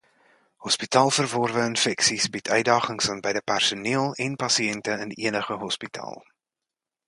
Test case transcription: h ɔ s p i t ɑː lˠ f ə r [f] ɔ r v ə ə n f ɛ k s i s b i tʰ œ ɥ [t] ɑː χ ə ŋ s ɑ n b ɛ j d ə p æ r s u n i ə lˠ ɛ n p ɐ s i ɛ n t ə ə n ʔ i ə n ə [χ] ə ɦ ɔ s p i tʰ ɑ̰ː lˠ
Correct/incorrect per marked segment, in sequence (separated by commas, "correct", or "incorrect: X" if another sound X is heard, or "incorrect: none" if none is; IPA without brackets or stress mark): incorrect: v, incorrect: d, correct